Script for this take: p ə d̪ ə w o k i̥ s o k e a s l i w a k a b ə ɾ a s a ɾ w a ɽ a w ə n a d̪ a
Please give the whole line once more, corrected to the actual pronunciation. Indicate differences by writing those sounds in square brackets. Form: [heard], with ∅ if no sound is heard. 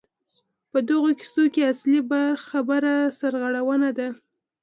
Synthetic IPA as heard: p ə d̪ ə [ɣ] o k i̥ s o k e a s l i [b] a [x] a b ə ɾ a s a ɾ [ɣ] a ɽ a w ə n a d̪ a